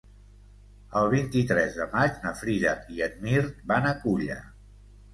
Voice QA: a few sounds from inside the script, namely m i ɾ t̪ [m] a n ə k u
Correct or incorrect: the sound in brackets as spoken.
incorrect: b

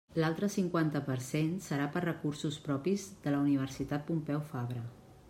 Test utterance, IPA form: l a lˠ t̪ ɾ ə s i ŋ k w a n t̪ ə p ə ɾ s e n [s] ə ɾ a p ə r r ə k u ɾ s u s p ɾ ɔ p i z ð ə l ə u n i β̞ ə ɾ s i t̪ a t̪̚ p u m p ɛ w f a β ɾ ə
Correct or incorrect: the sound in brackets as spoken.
correct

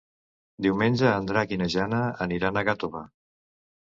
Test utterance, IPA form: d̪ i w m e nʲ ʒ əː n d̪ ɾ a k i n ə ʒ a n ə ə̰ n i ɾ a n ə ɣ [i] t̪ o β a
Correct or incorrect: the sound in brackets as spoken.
incorrect: a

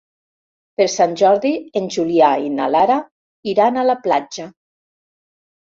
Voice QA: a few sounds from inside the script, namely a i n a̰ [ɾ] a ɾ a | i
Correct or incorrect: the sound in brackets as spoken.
incorrect: l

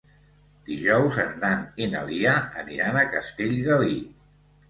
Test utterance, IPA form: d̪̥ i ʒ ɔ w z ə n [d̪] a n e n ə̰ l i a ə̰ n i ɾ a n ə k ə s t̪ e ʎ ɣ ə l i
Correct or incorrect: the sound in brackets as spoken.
correct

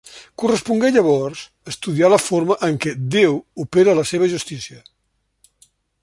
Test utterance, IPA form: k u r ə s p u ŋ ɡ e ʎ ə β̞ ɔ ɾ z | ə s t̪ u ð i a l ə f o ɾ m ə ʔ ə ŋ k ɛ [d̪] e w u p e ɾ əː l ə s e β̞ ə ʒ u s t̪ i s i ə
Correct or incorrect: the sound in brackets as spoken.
correct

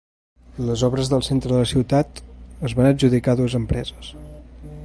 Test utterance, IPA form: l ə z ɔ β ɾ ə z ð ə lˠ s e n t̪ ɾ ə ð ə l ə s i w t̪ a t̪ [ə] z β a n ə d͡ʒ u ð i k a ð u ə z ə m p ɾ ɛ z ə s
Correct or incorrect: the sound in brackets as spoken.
correct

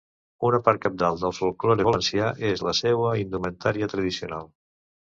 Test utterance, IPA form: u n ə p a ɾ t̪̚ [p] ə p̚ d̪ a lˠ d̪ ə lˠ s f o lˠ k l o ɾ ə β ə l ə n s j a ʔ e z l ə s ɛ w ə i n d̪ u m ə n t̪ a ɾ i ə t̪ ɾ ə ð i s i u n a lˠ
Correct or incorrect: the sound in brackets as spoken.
incorrect: k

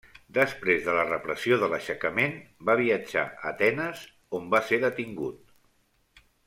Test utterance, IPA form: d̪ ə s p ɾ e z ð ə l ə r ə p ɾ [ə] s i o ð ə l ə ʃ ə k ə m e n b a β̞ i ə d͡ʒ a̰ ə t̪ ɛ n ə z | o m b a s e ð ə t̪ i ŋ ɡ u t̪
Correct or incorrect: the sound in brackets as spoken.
correct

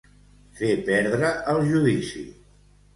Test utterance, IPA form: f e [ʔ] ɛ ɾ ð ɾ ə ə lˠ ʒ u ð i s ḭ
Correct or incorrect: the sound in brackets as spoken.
incorrect: p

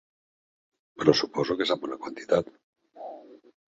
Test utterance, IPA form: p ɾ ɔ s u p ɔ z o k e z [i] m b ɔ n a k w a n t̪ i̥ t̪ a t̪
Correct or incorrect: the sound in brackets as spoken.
incorrect: a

